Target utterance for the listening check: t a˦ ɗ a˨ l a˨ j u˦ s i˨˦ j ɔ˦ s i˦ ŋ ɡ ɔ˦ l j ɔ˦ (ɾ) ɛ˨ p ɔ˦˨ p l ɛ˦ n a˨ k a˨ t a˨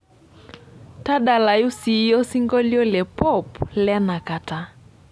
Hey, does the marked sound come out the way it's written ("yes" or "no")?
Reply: no